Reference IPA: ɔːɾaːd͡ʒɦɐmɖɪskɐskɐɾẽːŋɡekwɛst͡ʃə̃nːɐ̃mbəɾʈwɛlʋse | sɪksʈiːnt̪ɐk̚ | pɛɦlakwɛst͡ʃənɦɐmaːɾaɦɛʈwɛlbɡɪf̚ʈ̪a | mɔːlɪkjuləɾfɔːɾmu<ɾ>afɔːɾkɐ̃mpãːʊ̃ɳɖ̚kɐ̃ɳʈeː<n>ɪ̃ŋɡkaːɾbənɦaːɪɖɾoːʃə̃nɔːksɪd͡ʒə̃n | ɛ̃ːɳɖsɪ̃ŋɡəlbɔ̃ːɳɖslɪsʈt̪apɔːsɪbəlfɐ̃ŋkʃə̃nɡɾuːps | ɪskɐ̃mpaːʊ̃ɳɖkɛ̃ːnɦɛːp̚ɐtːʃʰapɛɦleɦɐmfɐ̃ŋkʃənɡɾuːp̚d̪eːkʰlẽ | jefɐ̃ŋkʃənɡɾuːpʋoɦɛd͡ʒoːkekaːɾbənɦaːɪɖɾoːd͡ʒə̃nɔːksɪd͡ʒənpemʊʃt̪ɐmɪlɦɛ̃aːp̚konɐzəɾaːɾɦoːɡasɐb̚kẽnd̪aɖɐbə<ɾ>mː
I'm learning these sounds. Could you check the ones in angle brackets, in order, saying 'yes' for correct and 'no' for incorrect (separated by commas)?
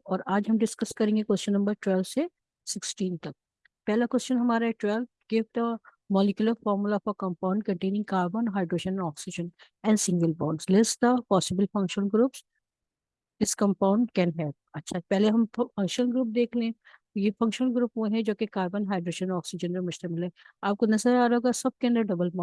no, yes, no